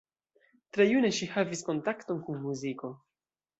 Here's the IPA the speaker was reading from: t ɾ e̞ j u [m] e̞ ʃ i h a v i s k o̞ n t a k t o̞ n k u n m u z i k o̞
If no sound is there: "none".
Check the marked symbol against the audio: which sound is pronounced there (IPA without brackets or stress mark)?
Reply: n